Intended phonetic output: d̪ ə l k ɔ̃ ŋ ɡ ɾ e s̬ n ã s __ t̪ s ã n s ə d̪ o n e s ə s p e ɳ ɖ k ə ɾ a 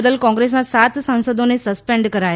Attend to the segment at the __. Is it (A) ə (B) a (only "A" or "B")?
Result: B